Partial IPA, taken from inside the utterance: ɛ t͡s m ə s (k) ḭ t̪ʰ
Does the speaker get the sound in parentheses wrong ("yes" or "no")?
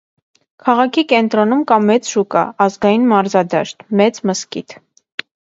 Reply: no